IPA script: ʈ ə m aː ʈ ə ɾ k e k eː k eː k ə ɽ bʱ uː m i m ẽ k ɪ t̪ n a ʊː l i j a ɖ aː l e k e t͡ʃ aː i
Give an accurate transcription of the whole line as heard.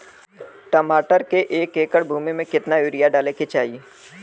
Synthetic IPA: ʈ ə m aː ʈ ə ɾ k e ʔ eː k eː k ə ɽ bʱ uː m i m ẽ k ɪ t̪ n a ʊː ɾ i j a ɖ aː l e k e t͡ʃ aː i

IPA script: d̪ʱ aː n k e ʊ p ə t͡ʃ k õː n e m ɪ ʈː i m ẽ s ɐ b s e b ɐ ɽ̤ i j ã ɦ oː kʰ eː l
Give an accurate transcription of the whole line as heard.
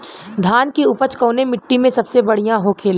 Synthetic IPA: d̪ʱ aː n k i ʊ p ə t͡ʃ k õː n e m ɪ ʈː i m ẽ s ɐ b s e b ɐ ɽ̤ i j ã ɦ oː kʰ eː l

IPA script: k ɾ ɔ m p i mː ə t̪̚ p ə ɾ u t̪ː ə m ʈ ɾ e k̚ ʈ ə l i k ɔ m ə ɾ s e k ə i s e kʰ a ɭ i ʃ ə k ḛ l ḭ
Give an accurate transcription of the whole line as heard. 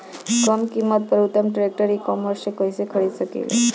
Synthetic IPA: k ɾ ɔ m k i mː ə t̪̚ p ə ɾ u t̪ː ə m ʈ ɾ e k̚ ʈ ə ɾ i k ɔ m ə ɾ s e k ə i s e kʰ ə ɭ i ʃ ə k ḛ l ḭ

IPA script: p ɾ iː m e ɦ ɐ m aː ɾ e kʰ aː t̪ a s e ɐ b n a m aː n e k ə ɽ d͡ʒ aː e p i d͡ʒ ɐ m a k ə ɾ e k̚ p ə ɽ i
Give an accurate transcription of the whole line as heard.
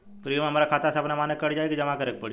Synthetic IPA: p ɾ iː m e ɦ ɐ m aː ɾ a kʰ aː t̪ a s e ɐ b n a m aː n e k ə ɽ d͡ʒ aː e k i d͡ʒ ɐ m a k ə ɾ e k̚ p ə ɽ i

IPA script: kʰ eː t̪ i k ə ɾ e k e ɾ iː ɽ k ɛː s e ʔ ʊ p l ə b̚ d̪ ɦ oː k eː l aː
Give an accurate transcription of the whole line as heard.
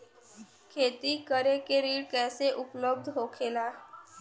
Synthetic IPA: kʰ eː t̪ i k ə ɾ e k e ɾ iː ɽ k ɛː s e ʔ ʊ p l ə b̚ d̪ ɦ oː kʰ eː l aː

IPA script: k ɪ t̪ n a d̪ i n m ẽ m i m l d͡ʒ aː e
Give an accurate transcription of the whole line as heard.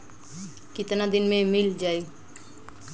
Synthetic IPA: k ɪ t̪ n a d̪ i n m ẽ m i l d͡ʒ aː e

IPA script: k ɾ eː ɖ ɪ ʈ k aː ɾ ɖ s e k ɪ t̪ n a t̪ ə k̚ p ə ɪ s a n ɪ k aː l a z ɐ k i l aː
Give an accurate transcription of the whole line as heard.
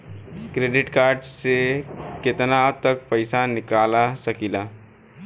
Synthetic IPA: k ɾ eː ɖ ɪ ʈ k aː ɾ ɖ s e k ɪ t̪ n a t̪ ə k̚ p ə ɪ s a n ɪ k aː l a s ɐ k i l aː

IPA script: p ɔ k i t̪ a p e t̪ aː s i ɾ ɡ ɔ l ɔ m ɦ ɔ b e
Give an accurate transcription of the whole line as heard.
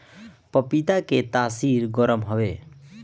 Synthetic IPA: p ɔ p i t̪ a k e t̪ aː s i ɾ ɡ ɔ ɾ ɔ m ɦ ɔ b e

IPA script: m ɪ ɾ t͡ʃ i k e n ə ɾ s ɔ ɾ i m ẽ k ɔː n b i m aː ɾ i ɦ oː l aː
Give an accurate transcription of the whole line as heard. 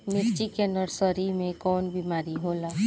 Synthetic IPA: m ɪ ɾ t͡ʃ i k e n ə ɾ s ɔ ɾ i m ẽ k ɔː n b i m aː ɾ i ɦ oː l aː

